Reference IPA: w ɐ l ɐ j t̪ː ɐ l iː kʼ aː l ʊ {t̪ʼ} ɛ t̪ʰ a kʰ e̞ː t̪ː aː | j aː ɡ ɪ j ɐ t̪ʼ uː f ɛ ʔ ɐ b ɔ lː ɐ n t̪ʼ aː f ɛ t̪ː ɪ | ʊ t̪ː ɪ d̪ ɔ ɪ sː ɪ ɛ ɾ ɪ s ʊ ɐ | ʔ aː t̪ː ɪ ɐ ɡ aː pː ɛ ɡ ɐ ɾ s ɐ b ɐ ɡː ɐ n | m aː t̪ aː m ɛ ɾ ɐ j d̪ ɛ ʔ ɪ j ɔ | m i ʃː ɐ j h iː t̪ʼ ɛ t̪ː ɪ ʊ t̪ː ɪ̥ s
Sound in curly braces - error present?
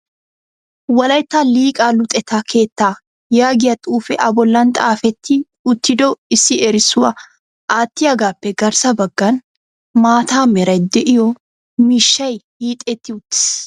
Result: no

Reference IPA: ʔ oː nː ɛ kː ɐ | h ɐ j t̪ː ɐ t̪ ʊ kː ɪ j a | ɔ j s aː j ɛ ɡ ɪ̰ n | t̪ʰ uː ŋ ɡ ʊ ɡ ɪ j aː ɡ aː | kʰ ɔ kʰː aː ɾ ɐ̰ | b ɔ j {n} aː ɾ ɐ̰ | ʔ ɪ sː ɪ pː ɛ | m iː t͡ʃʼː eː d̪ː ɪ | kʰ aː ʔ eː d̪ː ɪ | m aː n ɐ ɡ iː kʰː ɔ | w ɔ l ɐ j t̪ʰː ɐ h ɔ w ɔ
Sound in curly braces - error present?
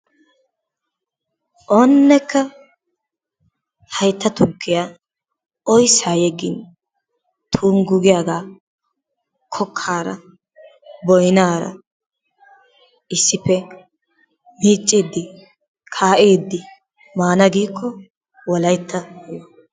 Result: no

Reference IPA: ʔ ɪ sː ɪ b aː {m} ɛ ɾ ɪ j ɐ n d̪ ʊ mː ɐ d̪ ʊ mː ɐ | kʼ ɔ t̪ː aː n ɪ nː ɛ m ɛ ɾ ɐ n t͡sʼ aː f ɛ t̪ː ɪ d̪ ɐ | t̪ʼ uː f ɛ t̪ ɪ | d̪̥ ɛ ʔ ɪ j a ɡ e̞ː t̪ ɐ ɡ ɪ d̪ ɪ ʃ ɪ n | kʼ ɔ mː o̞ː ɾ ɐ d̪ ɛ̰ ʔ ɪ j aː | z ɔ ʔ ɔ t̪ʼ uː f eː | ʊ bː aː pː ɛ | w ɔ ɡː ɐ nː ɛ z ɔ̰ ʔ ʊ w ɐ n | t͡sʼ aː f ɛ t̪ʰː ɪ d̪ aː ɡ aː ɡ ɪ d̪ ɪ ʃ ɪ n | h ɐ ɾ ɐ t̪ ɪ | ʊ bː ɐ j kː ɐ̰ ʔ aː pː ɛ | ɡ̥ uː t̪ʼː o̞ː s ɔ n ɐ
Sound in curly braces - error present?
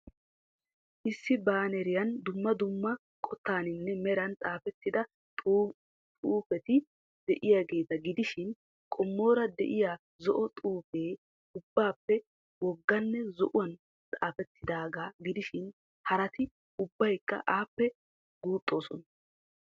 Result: yes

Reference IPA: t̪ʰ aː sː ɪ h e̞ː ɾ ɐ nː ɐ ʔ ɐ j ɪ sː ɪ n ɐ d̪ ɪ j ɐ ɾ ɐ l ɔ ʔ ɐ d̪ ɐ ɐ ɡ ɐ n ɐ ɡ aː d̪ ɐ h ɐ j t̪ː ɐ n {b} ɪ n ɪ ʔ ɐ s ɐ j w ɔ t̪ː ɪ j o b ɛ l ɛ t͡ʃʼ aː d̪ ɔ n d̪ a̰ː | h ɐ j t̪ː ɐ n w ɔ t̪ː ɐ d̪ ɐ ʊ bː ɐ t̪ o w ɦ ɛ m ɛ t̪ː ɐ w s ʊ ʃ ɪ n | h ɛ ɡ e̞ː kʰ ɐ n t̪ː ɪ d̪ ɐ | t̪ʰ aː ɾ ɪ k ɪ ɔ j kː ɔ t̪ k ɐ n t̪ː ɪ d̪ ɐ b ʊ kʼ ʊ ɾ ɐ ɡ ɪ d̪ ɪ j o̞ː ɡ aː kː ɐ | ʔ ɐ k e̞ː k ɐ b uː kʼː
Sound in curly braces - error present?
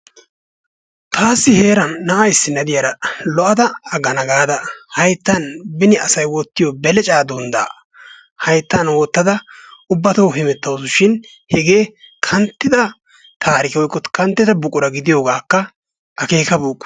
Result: no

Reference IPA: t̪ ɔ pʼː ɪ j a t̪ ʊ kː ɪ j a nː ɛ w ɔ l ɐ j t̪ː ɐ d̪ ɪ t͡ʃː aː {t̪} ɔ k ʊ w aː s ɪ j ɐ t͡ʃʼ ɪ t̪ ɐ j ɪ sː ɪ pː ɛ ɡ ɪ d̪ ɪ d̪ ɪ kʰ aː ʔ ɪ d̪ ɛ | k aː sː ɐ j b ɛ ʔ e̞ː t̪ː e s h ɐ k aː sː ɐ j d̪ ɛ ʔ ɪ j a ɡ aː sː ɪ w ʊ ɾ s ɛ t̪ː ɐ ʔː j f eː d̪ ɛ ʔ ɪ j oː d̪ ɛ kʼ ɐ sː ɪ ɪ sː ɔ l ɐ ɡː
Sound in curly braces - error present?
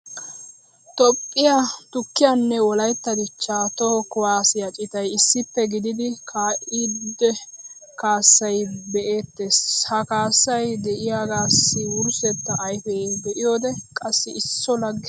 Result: no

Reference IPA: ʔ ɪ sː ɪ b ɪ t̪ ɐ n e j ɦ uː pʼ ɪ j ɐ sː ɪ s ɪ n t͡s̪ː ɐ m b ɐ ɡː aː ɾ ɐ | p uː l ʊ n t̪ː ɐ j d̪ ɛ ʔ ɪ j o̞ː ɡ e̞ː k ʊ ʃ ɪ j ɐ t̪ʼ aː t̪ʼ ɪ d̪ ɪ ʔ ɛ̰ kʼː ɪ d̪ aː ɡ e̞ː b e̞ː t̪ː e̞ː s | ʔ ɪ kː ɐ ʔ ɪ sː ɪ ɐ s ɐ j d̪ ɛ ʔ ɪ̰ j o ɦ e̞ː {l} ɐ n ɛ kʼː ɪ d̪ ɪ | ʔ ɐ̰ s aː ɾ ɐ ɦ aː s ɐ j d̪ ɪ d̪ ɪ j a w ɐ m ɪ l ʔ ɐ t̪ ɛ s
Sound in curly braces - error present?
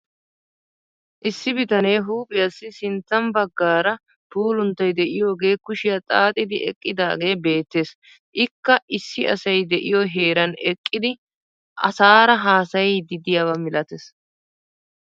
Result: yes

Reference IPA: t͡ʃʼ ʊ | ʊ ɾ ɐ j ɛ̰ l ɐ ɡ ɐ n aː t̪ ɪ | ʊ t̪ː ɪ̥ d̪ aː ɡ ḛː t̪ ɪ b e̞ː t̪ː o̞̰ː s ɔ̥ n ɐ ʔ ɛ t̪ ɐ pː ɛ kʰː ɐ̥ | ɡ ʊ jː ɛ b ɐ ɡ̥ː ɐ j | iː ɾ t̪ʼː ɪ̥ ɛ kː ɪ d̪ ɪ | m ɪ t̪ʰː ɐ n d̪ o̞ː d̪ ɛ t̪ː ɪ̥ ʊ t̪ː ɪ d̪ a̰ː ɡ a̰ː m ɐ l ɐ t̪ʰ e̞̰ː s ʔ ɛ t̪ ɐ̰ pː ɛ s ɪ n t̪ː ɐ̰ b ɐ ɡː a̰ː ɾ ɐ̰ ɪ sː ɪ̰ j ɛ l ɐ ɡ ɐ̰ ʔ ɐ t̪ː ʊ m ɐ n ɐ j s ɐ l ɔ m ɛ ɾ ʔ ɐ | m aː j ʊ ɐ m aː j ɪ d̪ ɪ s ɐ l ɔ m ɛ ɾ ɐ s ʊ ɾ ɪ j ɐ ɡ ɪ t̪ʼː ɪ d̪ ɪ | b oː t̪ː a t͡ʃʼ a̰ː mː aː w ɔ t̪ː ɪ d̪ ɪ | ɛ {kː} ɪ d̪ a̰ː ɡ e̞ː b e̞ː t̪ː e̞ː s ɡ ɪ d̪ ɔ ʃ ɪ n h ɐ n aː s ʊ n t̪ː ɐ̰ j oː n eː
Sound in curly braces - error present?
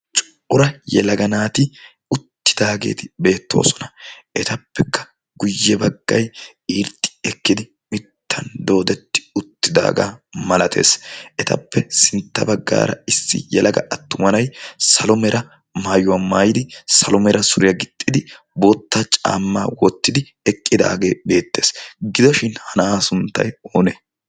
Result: yes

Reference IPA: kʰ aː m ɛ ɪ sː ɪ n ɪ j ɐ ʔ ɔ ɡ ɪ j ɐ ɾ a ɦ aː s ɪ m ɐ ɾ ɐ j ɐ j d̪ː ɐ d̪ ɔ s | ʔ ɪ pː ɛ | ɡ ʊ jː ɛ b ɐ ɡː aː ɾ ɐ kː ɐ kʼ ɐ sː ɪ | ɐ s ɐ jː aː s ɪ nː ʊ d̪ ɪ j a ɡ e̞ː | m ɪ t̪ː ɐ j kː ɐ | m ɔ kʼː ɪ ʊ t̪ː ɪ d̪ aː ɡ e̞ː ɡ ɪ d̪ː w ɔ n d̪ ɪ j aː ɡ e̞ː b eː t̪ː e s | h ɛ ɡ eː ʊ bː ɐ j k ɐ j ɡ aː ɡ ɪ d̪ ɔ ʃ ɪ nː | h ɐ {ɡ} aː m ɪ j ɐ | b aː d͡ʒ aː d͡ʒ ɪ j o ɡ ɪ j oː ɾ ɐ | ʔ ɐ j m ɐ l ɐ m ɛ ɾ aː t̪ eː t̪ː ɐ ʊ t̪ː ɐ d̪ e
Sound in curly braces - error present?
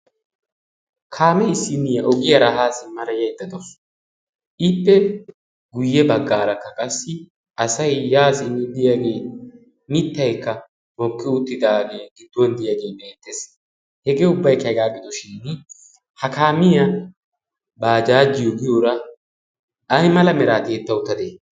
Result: yes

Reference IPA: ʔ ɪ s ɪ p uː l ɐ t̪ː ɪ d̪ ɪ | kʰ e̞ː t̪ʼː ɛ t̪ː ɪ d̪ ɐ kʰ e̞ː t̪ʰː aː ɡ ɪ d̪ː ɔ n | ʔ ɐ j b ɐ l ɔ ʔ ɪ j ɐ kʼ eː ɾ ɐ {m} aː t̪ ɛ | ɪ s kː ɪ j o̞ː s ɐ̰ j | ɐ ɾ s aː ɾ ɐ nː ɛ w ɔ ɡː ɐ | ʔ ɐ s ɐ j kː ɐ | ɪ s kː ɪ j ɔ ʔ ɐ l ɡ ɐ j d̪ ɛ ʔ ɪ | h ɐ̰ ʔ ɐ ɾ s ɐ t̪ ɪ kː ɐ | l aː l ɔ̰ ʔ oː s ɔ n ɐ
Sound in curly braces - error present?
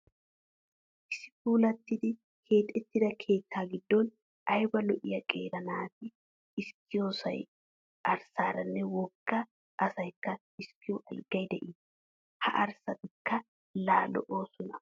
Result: yes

